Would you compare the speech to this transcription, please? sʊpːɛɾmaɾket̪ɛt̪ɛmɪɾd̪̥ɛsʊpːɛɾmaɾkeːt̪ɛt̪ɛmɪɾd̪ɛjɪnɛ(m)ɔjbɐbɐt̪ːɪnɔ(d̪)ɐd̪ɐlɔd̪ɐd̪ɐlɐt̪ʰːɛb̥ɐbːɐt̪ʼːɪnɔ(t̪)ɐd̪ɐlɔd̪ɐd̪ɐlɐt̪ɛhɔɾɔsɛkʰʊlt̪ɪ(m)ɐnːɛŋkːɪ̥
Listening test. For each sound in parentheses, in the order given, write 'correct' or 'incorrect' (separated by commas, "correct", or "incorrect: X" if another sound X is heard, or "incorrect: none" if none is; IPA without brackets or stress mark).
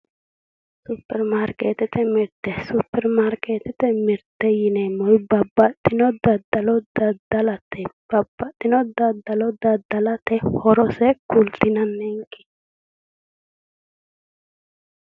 correct, correct, incorrect: d̪, incorrect: n